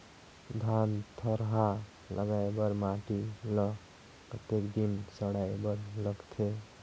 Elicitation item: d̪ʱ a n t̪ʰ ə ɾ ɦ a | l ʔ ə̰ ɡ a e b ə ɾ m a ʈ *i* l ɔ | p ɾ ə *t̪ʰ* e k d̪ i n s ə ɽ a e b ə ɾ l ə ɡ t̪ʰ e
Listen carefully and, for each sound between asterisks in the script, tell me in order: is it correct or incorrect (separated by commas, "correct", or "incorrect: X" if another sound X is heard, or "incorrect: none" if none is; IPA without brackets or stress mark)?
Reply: correct, incorrect: t̪